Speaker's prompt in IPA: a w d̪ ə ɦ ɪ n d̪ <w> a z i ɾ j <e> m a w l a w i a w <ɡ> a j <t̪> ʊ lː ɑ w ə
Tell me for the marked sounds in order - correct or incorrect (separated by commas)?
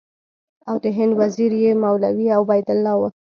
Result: correct, correct, incorrect, incorrect